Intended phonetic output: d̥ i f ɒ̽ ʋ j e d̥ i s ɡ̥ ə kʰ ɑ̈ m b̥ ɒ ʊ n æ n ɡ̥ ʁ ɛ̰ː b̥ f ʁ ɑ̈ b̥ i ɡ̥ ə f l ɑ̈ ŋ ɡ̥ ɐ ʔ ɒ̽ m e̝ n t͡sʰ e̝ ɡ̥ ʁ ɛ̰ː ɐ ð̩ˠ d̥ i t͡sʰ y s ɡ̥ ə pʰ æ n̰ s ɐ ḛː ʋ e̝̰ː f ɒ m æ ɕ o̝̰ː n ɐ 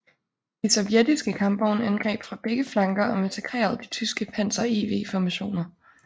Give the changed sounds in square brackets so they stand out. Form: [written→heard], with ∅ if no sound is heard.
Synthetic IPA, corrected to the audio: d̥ i [f→s] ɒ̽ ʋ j e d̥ i s ɡ̥ ə kʰ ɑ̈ m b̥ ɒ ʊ n æ n ɡ̥ ʁ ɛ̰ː b̥ f ʁ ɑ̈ b̥ [i→e] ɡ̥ ə f l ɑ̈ ŋ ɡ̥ ɐ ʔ ɒ̽ m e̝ n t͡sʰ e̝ ɡ̥ ʁ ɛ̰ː ɐ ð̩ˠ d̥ i t͡sʰ y s ɡ̥ ə pʰ æ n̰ s ɐ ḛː ʋ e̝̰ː f ɒ m æ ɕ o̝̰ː n ɐ